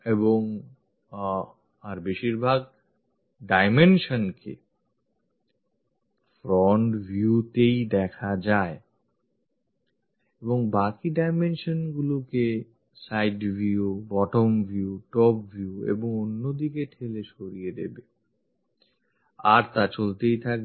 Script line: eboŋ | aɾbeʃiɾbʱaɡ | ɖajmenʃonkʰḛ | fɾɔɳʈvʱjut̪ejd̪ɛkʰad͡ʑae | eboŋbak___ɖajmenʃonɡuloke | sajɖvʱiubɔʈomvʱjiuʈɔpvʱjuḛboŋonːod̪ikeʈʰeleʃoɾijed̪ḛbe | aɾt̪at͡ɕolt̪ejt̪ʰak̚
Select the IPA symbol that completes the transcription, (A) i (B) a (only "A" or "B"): A